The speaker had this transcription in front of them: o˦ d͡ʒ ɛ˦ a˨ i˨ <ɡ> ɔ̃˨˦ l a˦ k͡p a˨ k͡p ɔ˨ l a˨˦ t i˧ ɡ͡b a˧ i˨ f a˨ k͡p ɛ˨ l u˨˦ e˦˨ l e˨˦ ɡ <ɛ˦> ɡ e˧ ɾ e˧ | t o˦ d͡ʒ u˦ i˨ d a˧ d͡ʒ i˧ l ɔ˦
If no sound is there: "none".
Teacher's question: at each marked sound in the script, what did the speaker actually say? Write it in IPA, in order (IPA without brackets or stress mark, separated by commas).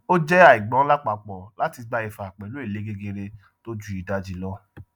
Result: ɡ͡b, e˦